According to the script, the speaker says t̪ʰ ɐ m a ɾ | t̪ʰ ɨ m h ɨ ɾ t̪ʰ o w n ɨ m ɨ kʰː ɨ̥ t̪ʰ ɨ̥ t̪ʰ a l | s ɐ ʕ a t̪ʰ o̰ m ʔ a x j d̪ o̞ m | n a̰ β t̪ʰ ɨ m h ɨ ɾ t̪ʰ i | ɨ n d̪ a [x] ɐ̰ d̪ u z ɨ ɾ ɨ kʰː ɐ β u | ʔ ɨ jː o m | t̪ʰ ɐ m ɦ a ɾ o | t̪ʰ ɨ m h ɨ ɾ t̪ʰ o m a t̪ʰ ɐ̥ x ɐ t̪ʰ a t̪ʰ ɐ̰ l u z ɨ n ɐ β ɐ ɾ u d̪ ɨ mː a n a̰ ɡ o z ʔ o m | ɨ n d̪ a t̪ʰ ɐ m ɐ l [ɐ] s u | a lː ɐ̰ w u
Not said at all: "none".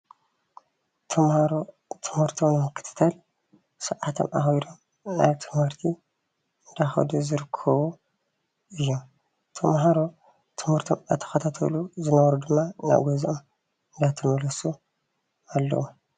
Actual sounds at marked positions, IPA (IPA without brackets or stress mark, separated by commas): x, ɐ